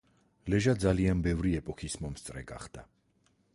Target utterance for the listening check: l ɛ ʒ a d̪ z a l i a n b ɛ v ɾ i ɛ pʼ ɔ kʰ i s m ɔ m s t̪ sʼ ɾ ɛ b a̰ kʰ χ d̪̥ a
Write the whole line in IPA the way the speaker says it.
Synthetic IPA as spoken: l ɛ ʒ a d̪ z a l i a n b ɛ v ɾ i ɛ pʼ ɔ kʰ i s m ɔ m s t̪ sʼ ɾ ɛ ɡ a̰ χ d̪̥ a